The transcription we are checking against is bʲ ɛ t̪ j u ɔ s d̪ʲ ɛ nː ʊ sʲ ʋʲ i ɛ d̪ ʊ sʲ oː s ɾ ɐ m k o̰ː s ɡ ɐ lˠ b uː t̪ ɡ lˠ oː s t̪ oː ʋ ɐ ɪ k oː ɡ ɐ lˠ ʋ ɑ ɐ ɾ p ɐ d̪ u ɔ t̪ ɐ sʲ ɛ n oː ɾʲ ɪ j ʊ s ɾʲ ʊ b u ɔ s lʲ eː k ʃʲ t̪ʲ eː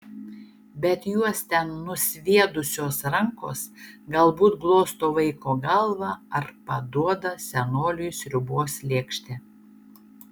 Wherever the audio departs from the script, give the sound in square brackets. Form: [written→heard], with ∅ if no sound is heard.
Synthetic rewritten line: bʲ ɛ t̪ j u ɔ s [d̪ʲ→t̪ʲ] ɛ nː ʊ sʲ ʋʲ i ɛ d̪ ʊ sʲ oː s ɾ ɐ [m→ŋ] k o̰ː s ɡ ɐ lˠ b uː t̪ ɡ lˠ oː s t̪ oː ʋ ɐ ɪ k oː ɡ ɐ lˠ ʋ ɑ ɐ ɾ p ɐ d̪ u ɔ [t̪→d̪] ɐ sʲ ɛ n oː [ɾʲ→lʲ] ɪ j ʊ s ɾʲ ʊ b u ɔ s lʲ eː k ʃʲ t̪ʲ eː